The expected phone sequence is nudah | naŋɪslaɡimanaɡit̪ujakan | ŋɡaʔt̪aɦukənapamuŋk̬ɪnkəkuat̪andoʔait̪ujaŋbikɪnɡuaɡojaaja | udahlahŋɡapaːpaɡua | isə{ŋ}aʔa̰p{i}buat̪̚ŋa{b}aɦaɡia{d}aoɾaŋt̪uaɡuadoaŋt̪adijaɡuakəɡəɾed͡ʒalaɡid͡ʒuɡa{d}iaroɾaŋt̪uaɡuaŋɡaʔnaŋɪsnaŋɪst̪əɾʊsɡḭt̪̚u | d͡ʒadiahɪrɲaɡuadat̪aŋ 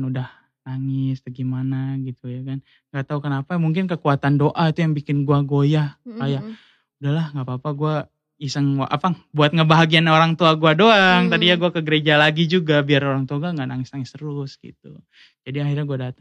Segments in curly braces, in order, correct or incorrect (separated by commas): correct, incorrect, correct, incorrect, incorrect